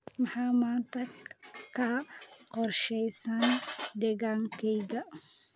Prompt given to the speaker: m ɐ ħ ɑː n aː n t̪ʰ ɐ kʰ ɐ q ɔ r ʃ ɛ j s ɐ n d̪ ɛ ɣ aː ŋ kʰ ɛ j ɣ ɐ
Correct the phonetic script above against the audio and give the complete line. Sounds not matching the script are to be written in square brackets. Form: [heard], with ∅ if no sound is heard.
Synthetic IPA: m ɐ ħ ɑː [m] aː n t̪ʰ ɐ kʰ ɐ q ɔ r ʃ ɛ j s ɐ n d̪ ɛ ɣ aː ŋ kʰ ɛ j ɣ ɐ